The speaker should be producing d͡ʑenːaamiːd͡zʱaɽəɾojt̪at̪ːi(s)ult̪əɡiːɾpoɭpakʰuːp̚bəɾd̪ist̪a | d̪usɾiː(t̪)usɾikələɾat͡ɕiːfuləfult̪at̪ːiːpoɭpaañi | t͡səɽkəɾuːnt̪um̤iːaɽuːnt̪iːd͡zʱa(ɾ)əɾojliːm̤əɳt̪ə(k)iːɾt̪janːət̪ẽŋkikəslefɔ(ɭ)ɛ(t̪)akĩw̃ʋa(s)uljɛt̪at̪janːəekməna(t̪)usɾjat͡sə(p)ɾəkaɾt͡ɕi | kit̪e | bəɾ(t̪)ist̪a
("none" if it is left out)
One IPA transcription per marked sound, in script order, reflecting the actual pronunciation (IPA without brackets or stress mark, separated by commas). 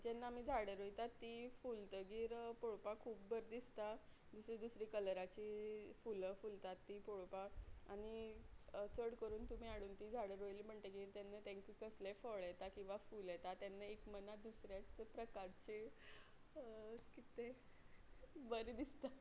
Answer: f, d̪, ɽ, ɡ, ɭ, t̪, f, d̪, p, d̪